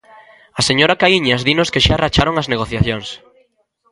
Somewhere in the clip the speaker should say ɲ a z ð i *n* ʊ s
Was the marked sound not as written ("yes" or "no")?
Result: no